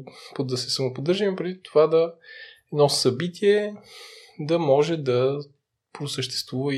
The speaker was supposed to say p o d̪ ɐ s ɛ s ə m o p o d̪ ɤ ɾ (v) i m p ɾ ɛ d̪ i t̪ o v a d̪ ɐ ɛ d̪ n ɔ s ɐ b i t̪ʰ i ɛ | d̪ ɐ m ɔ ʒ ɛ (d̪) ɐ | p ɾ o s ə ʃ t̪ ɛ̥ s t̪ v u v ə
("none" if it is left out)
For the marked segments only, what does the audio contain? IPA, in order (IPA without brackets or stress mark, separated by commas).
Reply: ʒ, d̪